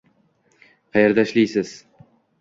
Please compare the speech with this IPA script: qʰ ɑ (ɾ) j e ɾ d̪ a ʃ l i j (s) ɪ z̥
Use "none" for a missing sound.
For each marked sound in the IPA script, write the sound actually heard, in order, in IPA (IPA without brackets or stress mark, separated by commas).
none, s